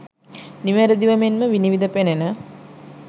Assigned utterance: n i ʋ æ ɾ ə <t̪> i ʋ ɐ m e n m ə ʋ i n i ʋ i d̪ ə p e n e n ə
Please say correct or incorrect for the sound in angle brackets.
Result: incorrect